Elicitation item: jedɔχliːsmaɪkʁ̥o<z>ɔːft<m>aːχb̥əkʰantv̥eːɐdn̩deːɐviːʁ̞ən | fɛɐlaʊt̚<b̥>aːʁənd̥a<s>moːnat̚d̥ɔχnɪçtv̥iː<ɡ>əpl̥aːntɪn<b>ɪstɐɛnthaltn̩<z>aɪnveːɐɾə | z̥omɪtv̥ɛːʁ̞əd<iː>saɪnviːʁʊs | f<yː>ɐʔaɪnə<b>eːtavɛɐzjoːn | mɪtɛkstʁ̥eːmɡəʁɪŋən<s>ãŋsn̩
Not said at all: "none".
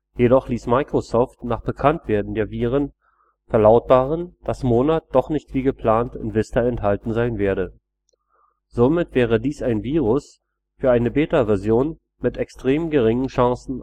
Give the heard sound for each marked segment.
s, n, b̥, s, ɡ, v, z, iː, yː, b, ʃ

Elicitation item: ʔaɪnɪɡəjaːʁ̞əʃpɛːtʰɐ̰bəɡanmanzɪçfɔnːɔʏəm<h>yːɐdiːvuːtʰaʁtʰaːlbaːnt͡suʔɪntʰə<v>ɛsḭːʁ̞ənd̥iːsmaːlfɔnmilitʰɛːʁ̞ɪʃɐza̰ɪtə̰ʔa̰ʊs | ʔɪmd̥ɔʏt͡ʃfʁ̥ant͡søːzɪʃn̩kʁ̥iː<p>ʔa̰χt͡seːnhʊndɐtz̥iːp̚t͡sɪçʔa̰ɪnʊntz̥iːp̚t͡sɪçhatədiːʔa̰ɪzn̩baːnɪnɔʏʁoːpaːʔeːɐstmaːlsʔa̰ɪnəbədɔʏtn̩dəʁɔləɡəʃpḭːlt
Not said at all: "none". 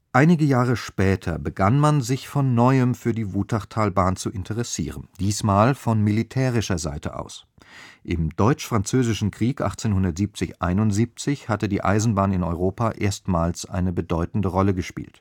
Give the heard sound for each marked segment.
f, ʁ, k

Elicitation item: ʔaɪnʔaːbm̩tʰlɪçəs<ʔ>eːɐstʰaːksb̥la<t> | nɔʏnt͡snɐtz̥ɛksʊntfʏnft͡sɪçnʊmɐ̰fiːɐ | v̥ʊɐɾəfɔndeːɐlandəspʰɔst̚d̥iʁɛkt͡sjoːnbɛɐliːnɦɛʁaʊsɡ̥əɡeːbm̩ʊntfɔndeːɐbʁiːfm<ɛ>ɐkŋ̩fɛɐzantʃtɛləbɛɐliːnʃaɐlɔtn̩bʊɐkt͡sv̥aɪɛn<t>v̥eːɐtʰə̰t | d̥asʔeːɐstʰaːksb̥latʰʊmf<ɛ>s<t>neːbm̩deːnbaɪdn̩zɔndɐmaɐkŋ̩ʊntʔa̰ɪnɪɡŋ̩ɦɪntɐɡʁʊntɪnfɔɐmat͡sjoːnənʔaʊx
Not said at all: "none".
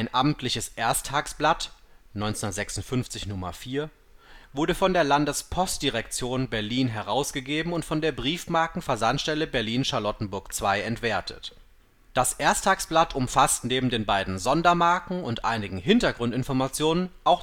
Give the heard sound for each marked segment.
ʔ, t, a, t, a, t

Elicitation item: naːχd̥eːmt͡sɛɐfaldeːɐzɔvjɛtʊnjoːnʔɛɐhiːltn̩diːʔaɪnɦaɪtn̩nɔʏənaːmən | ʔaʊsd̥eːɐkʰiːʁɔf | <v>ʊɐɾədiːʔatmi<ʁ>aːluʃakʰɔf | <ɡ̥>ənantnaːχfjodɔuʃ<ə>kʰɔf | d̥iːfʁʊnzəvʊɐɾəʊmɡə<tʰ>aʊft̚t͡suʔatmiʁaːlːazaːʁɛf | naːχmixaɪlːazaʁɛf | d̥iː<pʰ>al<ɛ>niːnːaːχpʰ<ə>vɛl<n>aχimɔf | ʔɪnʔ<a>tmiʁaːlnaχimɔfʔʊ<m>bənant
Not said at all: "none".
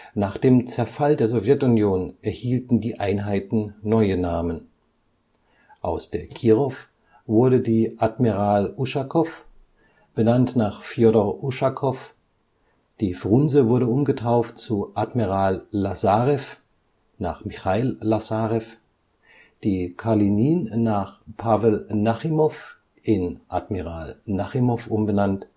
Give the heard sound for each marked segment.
v, ʁ, b̥, a, tʰ, kʰ, i, a, n, a, m

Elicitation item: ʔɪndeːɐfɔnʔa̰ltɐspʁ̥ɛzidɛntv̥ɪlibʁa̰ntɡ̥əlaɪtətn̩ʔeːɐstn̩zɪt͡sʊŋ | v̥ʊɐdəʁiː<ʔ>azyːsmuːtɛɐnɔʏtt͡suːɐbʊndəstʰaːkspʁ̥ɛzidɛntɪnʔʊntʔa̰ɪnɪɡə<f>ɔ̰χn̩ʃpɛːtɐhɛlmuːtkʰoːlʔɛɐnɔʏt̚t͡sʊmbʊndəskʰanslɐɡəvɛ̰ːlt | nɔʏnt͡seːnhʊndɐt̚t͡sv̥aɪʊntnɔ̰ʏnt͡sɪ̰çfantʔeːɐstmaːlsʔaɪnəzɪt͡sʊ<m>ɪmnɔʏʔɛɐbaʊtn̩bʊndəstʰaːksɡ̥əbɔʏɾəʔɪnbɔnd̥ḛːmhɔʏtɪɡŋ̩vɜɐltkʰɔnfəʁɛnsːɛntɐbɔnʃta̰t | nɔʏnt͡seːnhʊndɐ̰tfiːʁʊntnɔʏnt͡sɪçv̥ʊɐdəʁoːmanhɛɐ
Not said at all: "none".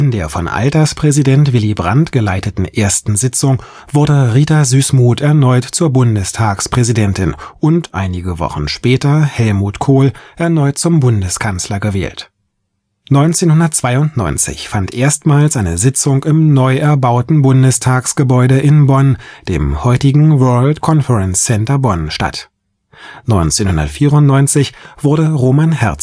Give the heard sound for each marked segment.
t, v, ŋ

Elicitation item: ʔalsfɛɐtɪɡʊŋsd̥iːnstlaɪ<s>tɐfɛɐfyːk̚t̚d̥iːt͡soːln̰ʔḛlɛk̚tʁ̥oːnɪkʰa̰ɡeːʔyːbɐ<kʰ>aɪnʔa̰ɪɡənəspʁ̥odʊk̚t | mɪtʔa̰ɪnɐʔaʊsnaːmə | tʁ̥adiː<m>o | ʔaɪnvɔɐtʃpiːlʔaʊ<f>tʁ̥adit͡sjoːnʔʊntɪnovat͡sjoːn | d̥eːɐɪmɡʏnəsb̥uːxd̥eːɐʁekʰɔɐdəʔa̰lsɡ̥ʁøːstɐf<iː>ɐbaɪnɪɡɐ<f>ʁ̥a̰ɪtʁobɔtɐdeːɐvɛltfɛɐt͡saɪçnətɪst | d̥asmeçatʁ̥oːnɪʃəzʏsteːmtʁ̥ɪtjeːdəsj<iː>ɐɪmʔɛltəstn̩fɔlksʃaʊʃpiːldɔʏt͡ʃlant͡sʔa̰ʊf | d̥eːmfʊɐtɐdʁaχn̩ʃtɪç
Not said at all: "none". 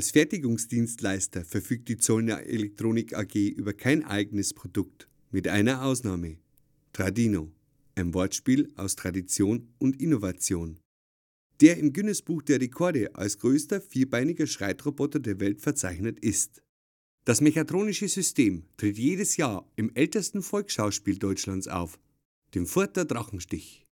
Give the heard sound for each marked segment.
s, kʰ, n, s, iː, ʃ, aː

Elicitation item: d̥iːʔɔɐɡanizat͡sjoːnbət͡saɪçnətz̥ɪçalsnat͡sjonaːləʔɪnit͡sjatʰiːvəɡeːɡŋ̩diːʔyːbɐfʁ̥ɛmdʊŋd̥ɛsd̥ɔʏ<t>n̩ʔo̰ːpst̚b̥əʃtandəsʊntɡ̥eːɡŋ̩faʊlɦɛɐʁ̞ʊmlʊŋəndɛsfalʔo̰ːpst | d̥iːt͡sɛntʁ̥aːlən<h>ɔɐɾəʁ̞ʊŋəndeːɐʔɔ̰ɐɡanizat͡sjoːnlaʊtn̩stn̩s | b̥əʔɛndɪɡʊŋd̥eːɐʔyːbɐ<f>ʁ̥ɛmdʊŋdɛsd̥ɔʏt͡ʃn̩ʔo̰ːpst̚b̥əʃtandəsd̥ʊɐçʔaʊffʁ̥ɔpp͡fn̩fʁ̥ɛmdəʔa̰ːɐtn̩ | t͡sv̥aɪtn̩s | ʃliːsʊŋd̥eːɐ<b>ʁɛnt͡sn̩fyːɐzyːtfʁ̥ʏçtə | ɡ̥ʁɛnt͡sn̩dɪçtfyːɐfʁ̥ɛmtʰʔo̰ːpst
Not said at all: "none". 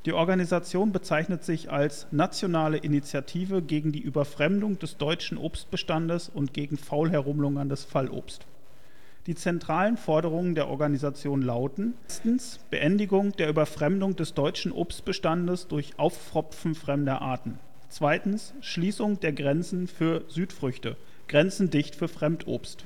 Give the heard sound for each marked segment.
t͡ʃ, f, f, ɡ

